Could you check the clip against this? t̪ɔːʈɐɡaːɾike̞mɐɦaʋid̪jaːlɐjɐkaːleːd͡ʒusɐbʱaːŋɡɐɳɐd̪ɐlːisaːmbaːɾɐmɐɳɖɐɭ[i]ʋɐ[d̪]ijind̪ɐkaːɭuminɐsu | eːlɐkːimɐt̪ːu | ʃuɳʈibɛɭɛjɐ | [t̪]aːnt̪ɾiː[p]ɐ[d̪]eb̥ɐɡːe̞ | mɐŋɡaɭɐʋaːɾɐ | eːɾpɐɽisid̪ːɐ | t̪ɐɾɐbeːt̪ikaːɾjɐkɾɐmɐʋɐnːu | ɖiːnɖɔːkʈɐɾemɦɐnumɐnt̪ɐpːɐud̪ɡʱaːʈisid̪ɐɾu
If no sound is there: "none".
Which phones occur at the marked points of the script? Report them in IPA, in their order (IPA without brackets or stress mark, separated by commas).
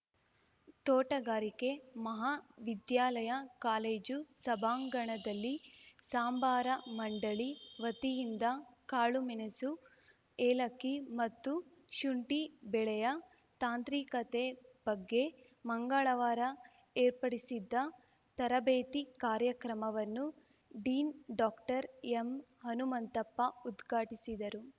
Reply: i, t̪, t̪, k, t̪